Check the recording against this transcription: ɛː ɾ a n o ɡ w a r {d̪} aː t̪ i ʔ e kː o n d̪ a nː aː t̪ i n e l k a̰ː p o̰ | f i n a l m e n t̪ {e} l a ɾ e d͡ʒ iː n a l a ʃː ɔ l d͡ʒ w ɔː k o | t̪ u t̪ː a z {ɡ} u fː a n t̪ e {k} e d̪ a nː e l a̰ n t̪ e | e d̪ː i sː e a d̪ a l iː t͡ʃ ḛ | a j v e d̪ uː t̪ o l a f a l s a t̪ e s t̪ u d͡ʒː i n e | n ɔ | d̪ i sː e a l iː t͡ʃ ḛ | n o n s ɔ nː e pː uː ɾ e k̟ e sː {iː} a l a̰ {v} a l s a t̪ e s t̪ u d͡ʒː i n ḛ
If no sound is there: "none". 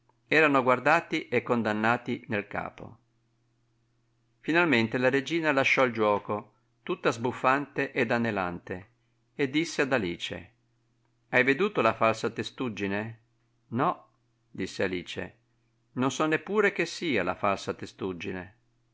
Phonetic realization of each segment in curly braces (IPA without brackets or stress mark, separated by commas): d̪, e, b, ʔ, iː, f